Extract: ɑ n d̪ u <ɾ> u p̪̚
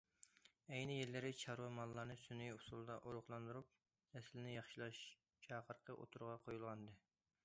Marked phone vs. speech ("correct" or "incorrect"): correct